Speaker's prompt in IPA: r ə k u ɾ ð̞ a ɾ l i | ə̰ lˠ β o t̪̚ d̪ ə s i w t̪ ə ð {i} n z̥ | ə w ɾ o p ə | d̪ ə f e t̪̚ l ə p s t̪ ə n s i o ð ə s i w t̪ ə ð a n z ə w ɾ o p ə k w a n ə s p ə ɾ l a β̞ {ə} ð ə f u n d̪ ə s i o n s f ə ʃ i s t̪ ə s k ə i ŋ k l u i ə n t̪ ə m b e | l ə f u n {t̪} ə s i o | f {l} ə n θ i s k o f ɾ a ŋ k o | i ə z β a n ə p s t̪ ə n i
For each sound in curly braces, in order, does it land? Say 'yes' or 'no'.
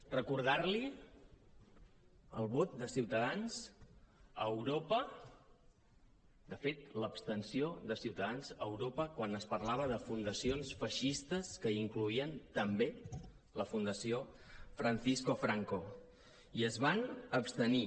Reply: no, yes, no, no

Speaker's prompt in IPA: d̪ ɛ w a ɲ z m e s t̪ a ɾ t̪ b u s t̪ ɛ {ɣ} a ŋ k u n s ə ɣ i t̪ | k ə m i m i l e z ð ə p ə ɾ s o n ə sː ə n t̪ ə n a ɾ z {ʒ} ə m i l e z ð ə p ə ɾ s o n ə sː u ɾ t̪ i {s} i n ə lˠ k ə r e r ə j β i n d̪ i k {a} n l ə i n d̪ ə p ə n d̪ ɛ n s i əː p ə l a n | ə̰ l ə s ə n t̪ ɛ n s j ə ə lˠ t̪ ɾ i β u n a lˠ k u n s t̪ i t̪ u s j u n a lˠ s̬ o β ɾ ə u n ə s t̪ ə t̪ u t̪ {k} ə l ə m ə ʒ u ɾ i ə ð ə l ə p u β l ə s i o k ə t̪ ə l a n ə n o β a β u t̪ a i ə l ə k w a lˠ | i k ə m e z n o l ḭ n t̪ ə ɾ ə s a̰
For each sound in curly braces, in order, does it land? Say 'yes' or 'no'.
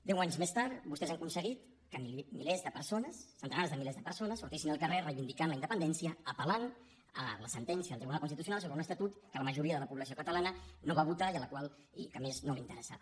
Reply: no, no, yes, yes, yes

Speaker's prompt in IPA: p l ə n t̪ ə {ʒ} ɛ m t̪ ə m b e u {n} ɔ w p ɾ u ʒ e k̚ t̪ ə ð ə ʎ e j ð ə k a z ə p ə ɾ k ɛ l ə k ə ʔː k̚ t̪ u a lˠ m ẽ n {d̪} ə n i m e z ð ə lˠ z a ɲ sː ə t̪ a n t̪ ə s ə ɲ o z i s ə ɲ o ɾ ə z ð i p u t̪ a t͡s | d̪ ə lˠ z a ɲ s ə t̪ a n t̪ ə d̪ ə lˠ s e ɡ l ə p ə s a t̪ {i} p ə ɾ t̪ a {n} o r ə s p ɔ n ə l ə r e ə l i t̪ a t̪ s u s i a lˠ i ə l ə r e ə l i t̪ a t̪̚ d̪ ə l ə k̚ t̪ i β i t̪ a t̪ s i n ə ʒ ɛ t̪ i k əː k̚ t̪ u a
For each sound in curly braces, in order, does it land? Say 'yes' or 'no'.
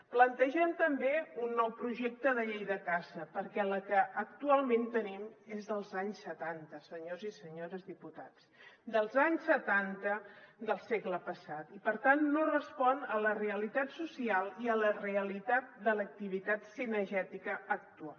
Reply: yes, no, no, yes, no

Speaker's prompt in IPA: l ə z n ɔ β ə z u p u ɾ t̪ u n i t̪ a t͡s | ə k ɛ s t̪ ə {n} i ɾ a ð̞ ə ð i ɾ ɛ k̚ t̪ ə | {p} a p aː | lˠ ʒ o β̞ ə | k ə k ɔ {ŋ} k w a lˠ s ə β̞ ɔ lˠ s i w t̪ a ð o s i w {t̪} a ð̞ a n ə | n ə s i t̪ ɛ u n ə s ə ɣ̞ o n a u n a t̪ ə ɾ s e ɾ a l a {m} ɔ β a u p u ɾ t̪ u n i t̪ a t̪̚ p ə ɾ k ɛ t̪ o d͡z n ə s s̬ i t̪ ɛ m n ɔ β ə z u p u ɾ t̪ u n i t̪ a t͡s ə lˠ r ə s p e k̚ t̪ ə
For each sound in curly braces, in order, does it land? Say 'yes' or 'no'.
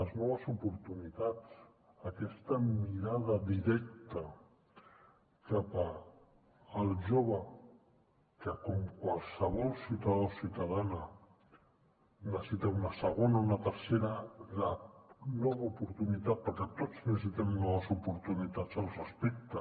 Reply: no, no, no, yes, no

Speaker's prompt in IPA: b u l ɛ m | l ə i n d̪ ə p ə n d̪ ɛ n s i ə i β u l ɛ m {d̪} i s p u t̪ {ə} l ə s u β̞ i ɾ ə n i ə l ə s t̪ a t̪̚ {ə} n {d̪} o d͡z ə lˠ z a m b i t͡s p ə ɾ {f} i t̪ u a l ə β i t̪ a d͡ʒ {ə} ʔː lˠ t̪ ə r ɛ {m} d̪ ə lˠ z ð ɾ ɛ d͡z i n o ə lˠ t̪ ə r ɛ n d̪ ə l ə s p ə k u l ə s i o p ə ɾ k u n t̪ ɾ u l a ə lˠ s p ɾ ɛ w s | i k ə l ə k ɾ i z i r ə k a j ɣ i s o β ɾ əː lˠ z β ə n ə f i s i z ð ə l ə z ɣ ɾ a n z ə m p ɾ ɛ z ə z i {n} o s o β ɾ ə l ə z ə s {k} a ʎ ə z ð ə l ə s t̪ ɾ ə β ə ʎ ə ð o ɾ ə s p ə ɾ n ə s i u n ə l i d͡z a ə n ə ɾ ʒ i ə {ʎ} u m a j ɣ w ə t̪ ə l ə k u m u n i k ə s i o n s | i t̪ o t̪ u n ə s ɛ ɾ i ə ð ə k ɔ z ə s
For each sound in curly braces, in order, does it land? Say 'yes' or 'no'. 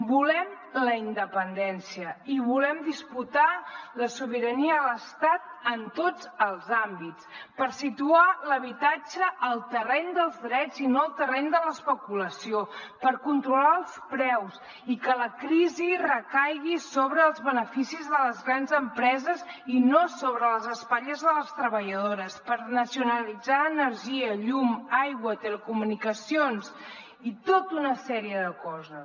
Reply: yes, no, yes, no, no, yes, no, yes, no, yes

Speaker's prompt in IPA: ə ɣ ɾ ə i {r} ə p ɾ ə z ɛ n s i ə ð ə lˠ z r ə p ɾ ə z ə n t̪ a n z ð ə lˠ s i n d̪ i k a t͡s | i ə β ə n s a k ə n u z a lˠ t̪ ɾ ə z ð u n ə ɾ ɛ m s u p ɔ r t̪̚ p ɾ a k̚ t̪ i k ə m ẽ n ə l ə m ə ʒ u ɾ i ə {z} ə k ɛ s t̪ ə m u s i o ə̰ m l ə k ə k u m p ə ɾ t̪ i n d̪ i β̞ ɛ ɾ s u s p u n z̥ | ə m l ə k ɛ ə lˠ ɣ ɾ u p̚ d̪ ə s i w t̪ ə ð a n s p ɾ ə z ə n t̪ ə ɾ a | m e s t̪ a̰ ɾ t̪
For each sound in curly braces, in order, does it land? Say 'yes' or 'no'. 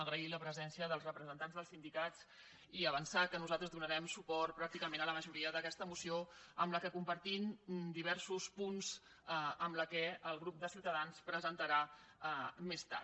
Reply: no, no

